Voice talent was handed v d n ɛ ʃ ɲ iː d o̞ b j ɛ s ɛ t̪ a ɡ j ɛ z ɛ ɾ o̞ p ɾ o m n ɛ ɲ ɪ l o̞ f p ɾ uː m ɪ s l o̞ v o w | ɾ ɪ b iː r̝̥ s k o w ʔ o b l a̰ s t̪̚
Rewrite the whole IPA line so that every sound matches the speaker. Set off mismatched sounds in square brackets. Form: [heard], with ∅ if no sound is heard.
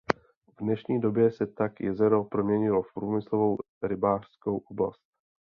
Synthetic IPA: v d n ɛ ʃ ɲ iː d o̞ b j ɛ s ɛ t̪ a [k] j ɛ z ɛ ɾ o̞ p ɾ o m [ɲ] ɛ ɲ ɪ l o̞ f p ɾ uː m ɪ s l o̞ v o w | ɾ ɪ b [aː] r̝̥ s k o w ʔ o b l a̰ s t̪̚